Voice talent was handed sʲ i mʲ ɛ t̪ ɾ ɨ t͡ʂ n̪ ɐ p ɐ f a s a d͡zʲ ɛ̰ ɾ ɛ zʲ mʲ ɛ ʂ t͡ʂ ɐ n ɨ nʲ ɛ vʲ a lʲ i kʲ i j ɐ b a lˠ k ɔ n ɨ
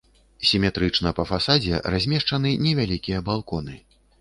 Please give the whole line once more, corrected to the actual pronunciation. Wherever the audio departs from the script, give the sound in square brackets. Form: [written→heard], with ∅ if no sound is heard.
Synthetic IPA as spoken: sʲ i mʲ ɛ t̪ ɾ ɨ t͡ʂ n̪ ɐ p ɐ f a s a d͡zʲ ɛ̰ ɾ [ɛ→a] zʲ mʲ ɛ ʂ t͡ʂ ɐ n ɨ nʲ ɛ vʲ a lʲ i kʲ i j ɐ b a lˠ k ɔ n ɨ